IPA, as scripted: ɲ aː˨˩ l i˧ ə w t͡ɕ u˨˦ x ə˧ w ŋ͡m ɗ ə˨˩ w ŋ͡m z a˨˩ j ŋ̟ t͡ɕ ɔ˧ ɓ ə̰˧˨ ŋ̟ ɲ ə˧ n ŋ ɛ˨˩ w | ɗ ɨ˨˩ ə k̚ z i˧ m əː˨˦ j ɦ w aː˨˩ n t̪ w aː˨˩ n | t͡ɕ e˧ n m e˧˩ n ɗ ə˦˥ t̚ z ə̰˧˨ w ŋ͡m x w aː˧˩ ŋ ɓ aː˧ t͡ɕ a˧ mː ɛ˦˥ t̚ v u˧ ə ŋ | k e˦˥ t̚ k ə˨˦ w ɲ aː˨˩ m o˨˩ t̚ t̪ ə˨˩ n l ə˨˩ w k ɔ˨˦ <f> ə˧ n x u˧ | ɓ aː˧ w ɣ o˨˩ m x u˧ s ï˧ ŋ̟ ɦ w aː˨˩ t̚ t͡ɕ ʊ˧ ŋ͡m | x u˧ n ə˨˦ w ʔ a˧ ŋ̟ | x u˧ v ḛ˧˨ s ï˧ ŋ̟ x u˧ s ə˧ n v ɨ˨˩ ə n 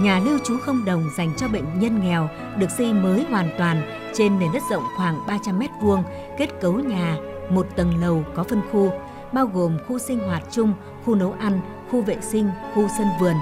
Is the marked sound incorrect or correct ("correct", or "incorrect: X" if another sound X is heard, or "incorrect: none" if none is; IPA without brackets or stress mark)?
correct